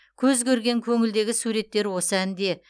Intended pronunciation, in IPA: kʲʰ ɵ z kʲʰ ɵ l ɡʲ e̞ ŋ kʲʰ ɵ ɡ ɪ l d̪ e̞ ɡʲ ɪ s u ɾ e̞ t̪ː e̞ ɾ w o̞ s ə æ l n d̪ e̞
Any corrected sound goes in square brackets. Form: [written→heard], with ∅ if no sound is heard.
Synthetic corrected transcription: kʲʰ ɵ z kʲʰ ɵ [l→ɾ] ɡʲ e̞ ŋ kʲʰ ɵ [ɡ→ŋ] ɪ l d̪ e̞ ɡʲ ɪ s u ɾ e̞ t̪ː e̞ ɾ w o̞ s ə æ [l→∅] n d̪ e̞